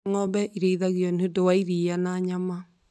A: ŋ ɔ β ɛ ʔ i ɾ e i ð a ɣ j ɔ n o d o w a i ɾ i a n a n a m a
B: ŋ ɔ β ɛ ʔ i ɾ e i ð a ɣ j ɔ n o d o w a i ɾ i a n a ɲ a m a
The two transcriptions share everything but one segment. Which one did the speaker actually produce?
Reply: B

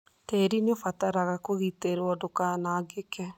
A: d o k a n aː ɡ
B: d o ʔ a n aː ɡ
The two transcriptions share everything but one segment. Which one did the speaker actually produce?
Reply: A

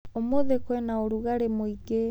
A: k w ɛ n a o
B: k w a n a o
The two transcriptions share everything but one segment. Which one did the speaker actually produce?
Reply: A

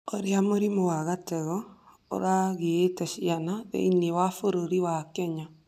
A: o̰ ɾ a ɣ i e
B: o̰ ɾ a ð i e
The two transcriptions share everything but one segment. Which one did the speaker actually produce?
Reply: A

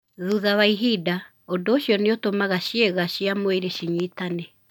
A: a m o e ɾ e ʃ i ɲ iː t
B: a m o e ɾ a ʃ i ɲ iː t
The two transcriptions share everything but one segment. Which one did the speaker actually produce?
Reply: A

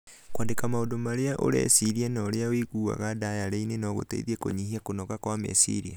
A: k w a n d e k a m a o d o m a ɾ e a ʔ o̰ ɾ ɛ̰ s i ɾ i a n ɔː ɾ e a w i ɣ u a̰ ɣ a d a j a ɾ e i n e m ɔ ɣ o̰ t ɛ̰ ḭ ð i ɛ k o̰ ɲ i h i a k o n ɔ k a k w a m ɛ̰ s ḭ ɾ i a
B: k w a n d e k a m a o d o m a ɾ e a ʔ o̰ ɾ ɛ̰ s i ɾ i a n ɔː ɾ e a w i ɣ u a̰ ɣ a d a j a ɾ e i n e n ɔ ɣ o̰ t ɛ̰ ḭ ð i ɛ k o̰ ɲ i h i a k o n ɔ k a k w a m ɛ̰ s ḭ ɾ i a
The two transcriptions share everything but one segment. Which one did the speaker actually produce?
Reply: B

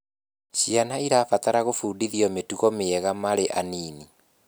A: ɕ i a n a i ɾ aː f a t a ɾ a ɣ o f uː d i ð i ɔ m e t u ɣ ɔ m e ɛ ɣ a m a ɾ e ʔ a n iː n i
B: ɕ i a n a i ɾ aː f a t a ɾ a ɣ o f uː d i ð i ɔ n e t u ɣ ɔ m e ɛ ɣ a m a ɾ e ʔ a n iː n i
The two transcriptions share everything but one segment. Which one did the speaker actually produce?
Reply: A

